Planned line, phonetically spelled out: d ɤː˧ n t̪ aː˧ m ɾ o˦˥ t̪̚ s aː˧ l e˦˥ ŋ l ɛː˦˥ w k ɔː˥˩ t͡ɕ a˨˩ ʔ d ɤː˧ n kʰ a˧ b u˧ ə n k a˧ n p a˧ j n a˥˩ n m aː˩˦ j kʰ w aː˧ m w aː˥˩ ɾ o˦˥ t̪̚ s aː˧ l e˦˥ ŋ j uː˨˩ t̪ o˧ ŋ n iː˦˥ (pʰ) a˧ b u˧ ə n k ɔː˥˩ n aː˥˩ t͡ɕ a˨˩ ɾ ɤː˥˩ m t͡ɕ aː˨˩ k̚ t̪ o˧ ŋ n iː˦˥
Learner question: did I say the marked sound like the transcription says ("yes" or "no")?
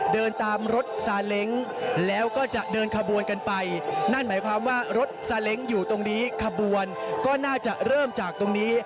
no